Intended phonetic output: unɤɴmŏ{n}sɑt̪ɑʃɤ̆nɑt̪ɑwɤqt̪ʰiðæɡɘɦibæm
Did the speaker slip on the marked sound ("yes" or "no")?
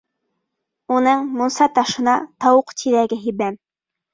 no